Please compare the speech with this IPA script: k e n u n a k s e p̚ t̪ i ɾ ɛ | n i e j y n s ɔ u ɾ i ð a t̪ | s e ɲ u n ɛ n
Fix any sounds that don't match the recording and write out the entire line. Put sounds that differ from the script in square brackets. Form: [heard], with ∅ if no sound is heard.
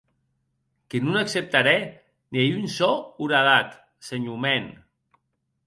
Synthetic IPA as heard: k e n u n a k s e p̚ t̪ [a] ɾ ɛ | n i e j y n s ɔ u ɾ [a] ð a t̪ | s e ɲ u [m] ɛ n